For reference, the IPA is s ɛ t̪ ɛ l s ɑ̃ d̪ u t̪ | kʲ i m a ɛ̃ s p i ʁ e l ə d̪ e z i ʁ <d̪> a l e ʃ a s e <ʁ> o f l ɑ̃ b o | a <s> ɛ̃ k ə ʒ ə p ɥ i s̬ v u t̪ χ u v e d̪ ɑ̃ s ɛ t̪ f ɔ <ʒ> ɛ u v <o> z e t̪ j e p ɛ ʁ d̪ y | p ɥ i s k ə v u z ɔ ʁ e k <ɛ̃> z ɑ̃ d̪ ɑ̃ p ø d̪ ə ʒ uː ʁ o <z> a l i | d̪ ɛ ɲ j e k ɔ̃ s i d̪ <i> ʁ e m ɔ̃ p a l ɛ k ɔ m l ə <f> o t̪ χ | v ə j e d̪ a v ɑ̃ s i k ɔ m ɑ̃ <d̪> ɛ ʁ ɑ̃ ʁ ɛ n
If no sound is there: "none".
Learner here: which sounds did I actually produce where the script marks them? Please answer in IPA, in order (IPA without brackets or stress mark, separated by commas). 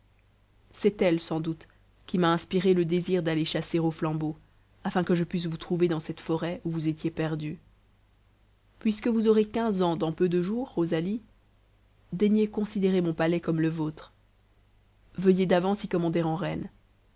d̪, ʁ, f, ʁ, u, ɛ̃, z, e, v, d̪